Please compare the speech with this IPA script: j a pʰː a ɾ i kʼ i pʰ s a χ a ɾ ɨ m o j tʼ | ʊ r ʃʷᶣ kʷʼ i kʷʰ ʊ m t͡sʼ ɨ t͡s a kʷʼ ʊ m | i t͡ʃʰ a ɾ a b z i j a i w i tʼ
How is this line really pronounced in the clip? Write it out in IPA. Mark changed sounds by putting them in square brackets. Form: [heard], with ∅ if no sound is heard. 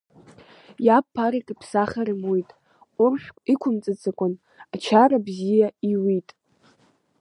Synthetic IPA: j a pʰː a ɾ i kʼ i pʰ s a χ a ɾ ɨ m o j tʼ | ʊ r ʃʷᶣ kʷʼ i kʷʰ ʊ m t͡sʼ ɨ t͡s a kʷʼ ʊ [n] | [a] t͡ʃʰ a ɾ a b z i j a i w i tʼ